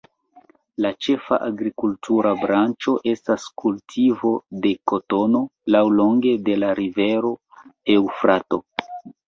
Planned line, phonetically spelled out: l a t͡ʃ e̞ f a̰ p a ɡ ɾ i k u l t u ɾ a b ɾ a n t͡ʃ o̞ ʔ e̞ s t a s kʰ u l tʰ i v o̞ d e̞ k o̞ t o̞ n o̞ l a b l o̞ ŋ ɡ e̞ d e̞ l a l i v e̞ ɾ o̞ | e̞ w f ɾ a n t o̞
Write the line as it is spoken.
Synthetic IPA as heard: l a t͡ʃ e̞ f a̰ ʔ a ɡ ɾ i k u l t u ɾ a b ɾ a n t͡ʃ o̞ ʔ e̞ s t a s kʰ u l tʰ i v o̞ d e̞ k o̞ t o̞ n o̞ l a w l o̞ ŋ ɡ e̞ d e̞ l a ɾ i v e̞ ɾ o̞ | e̞ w f ɾ a t o̞